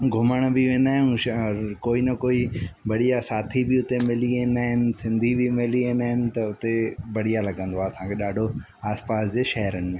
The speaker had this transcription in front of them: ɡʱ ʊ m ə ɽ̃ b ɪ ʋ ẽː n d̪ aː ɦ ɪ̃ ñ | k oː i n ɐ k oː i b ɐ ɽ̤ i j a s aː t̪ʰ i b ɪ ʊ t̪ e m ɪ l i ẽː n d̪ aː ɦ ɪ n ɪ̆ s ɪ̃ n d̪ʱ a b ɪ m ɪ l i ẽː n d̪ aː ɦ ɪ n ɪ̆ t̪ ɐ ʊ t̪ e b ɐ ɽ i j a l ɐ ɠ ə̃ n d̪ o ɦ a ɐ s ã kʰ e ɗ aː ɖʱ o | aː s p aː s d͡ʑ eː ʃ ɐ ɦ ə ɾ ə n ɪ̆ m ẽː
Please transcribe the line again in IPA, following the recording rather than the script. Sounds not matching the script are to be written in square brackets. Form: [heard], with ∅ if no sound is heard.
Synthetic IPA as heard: ɡʱ ʊ m ə ɽ̃ b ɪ ʋ ẽː n d̪ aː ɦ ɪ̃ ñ | k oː i n ɐ k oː i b ɐ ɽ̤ i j a s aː t̪ʰ i b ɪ ʊ t̪ e m ɪ l i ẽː n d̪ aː ɦ ɪ n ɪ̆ s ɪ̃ n d̪ʱ [i] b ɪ m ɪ l i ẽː n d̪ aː ɦ ɪ n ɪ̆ t̪ ɐ ʊ t̪ e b ɐ ɽ i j a l ɐ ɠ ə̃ n d̪ o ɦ a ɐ s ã kʰ e ɗ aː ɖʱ o | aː s p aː s d͡ʑ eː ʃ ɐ ɦ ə ɾ ə n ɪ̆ m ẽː

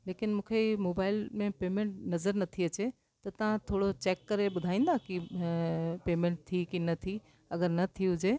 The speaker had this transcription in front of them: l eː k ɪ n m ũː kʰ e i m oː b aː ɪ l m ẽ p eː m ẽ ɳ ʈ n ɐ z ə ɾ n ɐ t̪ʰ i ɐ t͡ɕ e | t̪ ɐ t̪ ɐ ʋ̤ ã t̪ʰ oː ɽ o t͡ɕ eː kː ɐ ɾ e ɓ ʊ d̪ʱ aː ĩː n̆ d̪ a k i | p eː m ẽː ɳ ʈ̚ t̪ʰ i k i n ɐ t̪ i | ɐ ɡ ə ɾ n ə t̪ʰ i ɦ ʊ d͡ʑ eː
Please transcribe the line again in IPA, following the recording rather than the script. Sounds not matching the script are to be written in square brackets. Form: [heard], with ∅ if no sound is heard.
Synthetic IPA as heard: l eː k ɪ n m ũː kʰ e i m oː b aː ɪ l m ẽ p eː m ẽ ɳ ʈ n ɐ z ə ɾ n ɐ t̪ʰ i ɐ t͡ɕ e | t̪ ɐ t̪ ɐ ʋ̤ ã t̪ʰ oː ɽ o t͡ɕ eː kː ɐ ɾ e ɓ ʊ d̪ʱ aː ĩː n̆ d̪ a k i | p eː m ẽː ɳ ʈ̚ t̪ʰ i k i n ɐ [t̪ʰ] i | ɐ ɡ ə ɾ n [ɐ] t̪ʰ i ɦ ʊ d͡ʑ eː

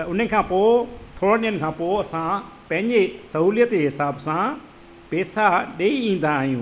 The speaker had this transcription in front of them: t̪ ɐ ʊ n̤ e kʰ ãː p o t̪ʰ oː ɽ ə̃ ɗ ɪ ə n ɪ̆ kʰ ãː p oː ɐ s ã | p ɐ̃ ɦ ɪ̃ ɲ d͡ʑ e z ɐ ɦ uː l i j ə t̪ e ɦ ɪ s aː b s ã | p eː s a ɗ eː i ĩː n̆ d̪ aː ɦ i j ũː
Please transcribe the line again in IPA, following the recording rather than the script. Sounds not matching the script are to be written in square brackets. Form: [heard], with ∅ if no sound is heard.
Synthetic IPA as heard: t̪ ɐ ʊ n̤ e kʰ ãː p o t̪ʰ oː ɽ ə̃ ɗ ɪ ə n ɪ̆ kʰ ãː p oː ɐ s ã | p ɐ̃ ɦ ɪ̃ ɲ d͡ʑ e [s] ɐ ɦ uː l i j ə t̪ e ɦ ɪ s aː b s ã | p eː s a ɗ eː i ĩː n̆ d̪ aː ɦ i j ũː

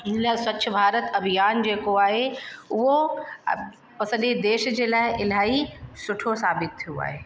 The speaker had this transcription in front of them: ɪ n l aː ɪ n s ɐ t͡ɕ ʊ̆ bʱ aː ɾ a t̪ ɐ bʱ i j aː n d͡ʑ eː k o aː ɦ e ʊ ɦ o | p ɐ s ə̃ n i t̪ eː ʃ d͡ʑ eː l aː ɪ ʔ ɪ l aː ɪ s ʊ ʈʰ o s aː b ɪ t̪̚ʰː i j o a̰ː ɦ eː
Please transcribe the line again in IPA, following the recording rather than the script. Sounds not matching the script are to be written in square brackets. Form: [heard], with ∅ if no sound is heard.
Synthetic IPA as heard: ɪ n l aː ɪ [∅] s ɐ t͡ɕ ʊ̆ bʱ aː ɾ [ə] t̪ ɐ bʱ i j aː n d͡ʑ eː k o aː ɦ e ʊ ɦ o | p ɐ s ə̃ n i [d̪] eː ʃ d͡ʑ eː l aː ɪ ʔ ɪ l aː [i] s ʊ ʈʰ o s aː b ɪ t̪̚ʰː i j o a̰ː ɦ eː

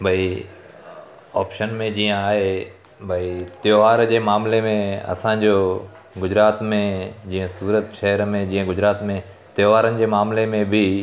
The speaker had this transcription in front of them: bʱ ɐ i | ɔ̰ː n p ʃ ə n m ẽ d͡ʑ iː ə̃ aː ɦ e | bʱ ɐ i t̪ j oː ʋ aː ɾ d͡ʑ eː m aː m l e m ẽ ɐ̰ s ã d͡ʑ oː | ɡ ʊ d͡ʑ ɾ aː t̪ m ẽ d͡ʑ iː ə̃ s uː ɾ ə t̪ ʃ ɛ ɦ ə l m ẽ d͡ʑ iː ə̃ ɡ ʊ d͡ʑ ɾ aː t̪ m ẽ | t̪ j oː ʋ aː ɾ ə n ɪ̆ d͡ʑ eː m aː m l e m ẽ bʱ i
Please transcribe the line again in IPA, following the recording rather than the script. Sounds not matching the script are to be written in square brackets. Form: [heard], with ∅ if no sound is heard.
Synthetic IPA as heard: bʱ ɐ i | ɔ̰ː [∅] p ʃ ə n m ẽ d͡ʑ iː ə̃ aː ɦ e | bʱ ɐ i t̪ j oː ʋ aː ɾ d͡ʑ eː m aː m l e m ẽ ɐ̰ s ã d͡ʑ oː | ɡ ʊ d͡ʑ ɾ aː t̪ m ẽ d͡ʑ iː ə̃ s uː ɾ ə t̪ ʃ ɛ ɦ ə [ɾ] m ẽ d͡ʑ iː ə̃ ɡ ʊ d͡ʑ ɾ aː t̪ m ẽ | t̪ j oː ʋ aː ɾ ə n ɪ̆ d͡ʑ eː m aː m l e m ẽ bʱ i

